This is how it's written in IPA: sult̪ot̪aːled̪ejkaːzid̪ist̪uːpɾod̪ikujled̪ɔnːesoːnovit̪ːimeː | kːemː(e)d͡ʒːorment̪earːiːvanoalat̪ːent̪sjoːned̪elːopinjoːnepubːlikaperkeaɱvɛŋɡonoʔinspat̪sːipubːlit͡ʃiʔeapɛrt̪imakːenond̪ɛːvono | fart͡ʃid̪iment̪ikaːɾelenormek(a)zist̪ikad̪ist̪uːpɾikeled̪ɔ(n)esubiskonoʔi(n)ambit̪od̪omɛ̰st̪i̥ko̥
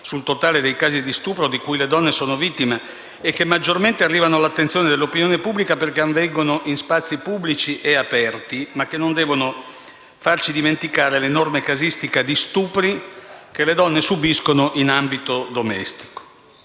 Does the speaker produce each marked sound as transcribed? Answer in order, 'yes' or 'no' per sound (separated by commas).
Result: no, yes, no, yes